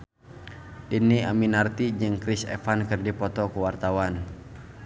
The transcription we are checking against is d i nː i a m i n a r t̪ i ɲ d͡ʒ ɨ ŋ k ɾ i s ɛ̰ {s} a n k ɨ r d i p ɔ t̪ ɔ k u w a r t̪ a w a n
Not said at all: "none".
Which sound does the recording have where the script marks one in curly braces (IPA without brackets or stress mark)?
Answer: f